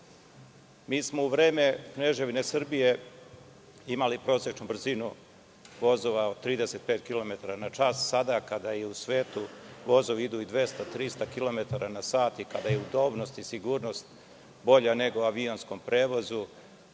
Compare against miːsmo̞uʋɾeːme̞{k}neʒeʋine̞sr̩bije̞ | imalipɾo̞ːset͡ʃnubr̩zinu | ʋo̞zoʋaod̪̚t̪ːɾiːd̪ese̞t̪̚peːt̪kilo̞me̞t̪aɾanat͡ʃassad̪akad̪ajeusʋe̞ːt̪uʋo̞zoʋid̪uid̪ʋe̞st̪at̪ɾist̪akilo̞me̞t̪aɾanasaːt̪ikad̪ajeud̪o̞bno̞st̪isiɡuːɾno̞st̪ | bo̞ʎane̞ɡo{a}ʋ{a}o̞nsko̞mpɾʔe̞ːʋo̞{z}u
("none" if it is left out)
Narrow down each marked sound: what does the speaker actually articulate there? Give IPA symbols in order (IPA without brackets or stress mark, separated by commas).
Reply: k, a, i, z